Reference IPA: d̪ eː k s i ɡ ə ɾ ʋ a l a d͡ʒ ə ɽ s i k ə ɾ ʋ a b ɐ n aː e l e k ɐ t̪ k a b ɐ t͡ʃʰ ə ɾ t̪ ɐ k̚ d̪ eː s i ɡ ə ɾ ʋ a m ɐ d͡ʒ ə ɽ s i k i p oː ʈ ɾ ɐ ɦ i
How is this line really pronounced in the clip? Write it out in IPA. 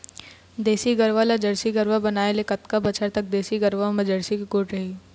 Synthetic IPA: d̪ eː s i ɡ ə ɾ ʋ a l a d͡ʒ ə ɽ s i ɡ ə ɾ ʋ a b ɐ n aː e l e k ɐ t̪ k a b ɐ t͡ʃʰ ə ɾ t̪ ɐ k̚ d̪ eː s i ɡ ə ɾ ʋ a m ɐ d͡ʒ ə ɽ s i k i k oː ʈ ɾ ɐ ɦ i